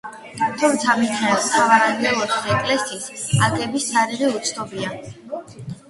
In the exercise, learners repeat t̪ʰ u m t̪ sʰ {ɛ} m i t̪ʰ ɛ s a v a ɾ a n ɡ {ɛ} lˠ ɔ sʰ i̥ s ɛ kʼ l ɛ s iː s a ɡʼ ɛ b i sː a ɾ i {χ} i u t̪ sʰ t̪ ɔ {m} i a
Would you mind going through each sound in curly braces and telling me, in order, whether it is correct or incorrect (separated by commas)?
incorrect, correct, incorrect, incorrect